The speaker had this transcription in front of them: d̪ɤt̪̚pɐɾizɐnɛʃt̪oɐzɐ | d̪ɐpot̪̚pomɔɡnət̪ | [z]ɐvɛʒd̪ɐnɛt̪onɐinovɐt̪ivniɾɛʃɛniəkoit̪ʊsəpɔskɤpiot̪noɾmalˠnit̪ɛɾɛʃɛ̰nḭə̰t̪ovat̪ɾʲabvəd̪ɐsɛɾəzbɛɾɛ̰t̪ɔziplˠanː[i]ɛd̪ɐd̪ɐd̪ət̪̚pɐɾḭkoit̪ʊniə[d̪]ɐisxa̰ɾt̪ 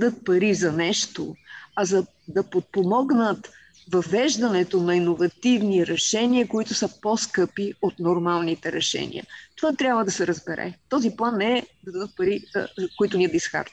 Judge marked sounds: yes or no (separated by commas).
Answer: no, no, yes